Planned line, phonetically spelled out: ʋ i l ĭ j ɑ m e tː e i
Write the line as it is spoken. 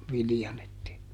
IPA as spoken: ʋ i l ĭ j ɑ n e tː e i

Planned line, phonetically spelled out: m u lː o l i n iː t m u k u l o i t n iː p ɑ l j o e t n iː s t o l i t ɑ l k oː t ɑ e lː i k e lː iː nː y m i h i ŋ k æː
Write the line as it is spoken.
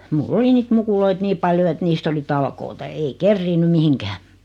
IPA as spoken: m u lː o l i n iː t m u k u l o i t n iː p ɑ l j o e t n iː s t o l i t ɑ l k oː t ɑ e i k e rː iː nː y m i h i ŋ k æː

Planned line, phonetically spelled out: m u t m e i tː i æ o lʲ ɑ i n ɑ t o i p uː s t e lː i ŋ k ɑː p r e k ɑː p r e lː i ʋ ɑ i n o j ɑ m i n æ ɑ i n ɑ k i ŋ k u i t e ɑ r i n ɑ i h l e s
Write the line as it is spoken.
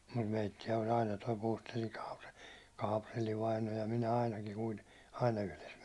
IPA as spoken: m u t m e i tː i æ o lʲ ɑ i n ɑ t o i p uː s t e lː i ŋ k ɑː p r e k ɑː p r e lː i ʋ ɑ i n o j ɑ m i n æ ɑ i n ɑ k i ŋ k u i t e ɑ i n ɑ y h l e s

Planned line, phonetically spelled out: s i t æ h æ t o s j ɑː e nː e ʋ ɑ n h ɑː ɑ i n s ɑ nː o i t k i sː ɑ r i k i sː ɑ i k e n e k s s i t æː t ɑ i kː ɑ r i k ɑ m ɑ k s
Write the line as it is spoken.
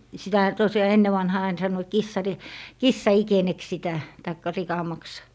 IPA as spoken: s i t æ h æ t o s j ɑː e nː e ʋ ɑ n h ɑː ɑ i n s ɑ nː o i t k i sː ɑ r i k i sː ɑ i k e n e k s s i t æ t ɑ i kː ɑ r i k ɑ m ɑ k s

